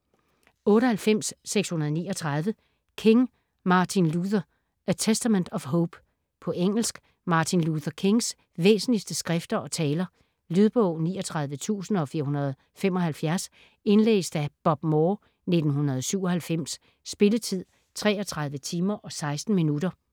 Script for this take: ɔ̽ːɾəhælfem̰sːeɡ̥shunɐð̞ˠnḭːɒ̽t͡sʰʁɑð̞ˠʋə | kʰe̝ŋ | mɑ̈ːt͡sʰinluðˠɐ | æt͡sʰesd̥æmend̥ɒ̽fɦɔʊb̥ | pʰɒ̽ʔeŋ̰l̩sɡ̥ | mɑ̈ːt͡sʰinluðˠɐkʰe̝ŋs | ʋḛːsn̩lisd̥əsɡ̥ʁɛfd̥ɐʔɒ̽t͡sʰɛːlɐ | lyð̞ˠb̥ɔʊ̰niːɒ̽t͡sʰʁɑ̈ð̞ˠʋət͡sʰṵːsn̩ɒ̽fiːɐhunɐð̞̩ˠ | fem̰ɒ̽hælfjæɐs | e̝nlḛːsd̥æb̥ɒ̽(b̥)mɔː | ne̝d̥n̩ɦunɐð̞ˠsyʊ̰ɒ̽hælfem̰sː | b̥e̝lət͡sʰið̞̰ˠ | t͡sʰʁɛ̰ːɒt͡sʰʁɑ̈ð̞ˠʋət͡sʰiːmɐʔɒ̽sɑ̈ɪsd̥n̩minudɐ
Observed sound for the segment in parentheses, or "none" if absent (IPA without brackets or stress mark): b̥